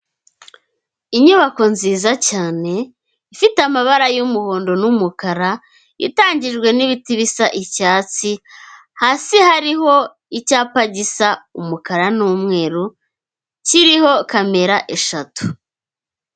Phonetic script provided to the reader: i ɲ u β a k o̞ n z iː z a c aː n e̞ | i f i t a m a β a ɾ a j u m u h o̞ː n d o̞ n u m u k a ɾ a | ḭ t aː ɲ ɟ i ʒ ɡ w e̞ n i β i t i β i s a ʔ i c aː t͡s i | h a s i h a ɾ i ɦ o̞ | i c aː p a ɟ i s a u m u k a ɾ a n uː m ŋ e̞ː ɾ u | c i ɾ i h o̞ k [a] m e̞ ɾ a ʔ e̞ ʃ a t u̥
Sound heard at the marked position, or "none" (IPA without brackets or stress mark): a